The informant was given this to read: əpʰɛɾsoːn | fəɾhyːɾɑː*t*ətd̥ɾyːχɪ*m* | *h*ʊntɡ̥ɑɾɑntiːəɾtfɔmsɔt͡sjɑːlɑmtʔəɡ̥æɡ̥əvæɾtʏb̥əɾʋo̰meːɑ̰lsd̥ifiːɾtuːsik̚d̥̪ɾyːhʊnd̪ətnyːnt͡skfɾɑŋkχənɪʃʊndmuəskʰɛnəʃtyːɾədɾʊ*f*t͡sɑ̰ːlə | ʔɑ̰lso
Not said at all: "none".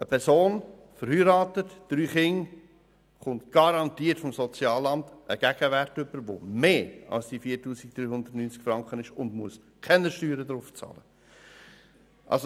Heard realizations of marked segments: t, ŋ, χ, f

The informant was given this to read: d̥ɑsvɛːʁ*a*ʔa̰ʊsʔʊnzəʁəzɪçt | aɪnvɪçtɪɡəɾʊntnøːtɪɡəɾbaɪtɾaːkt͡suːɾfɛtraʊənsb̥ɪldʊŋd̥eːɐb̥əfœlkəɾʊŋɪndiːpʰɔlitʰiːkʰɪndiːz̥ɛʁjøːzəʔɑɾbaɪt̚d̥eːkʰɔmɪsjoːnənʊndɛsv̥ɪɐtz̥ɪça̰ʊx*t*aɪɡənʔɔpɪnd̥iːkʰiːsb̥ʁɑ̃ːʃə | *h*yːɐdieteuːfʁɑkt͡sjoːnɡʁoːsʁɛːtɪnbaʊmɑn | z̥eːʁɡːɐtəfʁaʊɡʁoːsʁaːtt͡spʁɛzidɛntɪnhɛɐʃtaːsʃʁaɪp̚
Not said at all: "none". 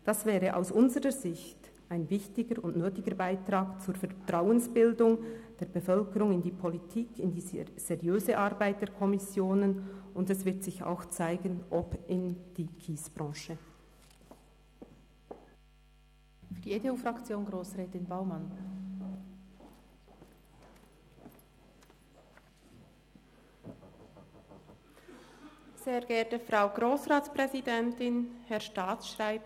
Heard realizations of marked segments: ə, t͡s, f

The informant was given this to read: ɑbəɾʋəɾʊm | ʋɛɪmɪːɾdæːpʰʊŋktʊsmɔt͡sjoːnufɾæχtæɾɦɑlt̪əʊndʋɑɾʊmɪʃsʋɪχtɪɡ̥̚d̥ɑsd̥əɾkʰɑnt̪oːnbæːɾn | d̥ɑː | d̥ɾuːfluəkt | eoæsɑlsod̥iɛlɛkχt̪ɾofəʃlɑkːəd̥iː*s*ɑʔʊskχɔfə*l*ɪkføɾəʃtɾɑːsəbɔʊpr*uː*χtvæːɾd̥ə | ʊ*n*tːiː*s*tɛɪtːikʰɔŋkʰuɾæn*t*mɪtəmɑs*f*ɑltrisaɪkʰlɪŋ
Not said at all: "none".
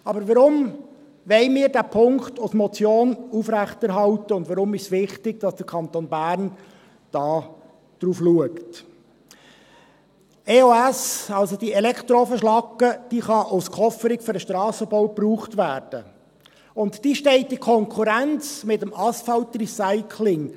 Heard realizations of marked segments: χ, ɾ, uː, n, ʃ, t͡s, f

